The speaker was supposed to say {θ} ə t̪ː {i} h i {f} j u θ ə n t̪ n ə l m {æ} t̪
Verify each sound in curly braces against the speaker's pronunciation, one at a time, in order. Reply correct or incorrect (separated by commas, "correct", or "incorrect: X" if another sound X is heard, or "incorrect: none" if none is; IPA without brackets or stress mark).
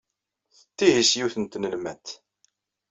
correct, correct, incorrect: s, correct